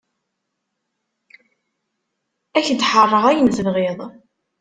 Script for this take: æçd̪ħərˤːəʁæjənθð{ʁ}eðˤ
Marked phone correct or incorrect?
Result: correct